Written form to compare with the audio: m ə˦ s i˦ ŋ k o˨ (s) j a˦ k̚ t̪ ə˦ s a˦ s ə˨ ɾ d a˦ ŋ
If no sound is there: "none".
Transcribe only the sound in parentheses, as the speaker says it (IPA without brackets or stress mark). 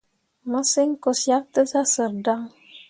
s